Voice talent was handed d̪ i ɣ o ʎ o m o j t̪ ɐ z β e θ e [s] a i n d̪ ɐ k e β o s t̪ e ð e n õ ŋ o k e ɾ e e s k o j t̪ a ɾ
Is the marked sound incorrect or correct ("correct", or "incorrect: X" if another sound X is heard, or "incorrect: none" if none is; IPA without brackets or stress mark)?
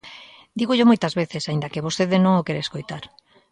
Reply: correct